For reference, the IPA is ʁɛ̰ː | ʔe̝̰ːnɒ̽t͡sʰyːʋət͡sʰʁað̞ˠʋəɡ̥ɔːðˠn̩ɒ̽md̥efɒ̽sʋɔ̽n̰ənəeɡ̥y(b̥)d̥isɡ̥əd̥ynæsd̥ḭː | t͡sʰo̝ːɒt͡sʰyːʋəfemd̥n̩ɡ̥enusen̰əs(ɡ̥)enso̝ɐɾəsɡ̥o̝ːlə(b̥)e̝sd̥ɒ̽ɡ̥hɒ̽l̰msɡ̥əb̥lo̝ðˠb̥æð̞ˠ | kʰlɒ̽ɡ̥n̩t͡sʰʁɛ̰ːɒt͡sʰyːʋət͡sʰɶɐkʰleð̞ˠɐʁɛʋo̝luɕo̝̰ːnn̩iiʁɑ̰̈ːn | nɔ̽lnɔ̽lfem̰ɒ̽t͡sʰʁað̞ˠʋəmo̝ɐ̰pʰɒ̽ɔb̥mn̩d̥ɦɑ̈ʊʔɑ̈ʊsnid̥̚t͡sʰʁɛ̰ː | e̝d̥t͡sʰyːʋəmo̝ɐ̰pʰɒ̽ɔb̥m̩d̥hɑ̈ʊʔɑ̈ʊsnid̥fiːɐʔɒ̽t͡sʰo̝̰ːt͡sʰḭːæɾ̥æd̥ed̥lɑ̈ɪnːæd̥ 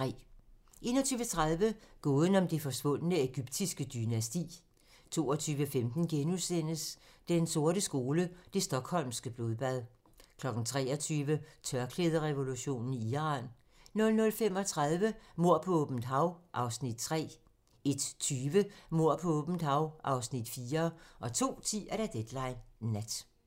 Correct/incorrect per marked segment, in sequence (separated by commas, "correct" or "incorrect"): correct, incorrect, incorrect